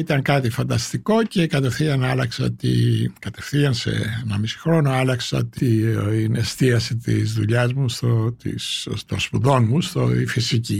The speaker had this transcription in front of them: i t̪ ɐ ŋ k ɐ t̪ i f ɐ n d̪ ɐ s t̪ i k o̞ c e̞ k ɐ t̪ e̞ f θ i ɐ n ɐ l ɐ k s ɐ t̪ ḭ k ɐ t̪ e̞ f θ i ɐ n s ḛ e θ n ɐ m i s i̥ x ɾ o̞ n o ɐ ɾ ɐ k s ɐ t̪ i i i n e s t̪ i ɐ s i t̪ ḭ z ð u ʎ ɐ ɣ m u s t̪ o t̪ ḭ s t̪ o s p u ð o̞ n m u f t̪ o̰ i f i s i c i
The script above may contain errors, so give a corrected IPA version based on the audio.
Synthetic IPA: i t̪ ɐ ŋ k ɐ t̪ i f ɐ n d̪ ɐ s t̪ i k o̞ c e̞ k ɐ t̪ e̞ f θ i ɐ n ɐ l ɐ k s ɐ t̪ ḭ k ɐ t̪ e̞ f θ i ɐ n s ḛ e n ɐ m i s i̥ x ɾ o̞ n o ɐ l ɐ k s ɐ t̪ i i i n e s t̪ i ɐ s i t̪ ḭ z ð u ʎ ɐ z m u s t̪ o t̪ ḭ s t̪ o s p u ð o̞ n m u s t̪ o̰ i f i s i c i